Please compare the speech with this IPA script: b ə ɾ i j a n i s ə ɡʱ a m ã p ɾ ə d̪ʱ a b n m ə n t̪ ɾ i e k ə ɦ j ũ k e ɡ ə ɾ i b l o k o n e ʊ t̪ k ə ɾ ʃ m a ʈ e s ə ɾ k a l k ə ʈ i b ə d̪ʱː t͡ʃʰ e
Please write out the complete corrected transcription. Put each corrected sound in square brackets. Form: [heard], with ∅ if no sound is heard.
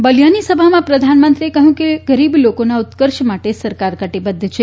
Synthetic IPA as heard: b ə [l] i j a n i s ə [bʱ] a m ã p ɾ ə d̪ʱ a [∅] n m ə n t̪ ɾ i e k ə ɦ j ũ k e ɡ ə ɾ i b l o k o n [a] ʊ t̪ k ə ɾ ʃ m a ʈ e s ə ɾ k a [ɾ] k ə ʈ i b ə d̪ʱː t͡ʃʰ e